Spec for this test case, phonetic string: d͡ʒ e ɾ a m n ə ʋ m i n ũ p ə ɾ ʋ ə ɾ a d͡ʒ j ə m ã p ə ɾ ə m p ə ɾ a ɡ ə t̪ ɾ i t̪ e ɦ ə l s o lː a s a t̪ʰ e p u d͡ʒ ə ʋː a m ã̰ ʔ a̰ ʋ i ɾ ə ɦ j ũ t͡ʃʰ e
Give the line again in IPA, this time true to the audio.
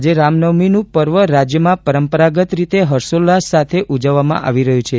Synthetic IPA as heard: d͡ʒ e ɾ a m n ə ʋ m i n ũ p ə ɾ ʋ ə ɾ a d͡ʒ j ə m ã p ə ɾ ə m p ə ɾ a ɡ ə t̪ ɾ i t̪ e ɦ ə ɾ s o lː a s a t̪ʰ e ʔ u d͡ʒ ə ʋː a m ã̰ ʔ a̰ ʋ i ɾ ə ɦ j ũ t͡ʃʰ e